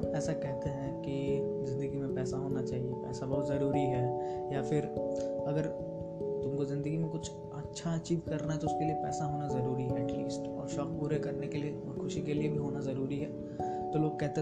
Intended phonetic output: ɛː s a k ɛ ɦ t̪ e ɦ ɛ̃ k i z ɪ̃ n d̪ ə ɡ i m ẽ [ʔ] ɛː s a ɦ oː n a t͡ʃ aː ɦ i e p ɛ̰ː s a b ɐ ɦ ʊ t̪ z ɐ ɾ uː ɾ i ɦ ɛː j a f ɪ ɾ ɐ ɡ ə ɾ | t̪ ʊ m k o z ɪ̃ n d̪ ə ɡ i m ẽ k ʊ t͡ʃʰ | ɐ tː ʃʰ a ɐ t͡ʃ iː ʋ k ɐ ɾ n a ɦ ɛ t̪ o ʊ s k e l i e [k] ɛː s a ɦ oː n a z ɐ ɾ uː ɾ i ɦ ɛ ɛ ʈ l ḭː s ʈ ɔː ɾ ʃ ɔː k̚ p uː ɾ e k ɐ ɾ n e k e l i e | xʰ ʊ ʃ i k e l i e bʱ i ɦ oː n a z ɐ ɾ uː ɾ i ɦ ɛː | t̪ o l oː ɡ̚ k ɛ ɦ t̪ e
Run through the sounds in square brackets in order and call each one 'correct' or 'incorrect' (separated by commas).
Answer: incorrect, incorrect